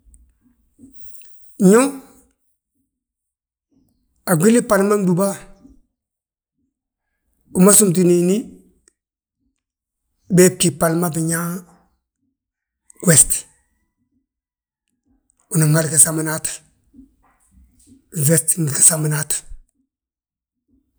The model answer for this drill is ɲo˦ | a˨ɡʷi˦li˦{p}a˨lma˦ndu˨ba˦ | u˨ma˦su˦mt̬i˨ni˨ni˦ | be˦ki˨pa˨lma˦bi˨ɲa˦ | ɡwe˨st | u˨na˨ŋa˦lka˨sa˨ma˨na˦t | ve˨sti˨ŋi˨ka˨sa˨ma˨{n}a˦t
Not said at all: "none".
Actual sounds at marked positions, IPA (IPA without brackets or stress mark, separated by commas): p, n